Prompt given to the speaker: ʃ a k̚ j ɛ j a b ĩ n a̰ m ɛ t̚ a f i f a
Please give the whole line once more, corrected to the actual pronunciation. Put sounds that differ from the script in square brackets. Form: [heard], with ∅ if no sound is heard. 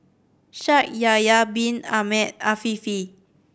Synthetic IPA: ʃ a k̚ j [a] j a b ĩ n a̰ m ɛ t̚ a f i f [i]